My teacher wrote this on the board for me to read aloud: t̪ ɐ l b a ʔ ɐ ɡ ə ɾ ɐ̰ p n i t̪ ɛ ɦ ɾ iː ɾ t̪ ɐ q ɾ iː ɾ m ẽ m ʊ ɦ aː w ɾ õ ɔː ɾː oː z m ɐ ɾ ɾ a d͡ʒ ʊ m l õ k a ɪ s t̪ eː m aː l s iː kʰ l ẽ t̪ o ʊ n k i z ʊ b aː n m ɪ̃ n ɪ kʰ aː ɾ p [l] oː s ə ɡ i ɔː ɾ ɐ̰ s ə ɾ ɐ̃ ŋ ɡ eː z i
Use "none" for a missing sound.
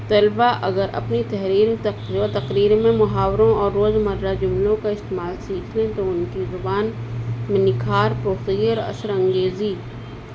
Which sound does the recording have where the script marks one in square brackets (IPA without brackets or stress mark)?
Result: ɾ